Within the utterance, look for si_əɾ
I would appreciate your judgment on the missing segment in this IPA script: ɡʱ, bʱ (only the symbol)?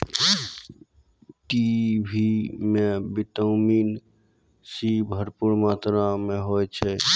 bʱ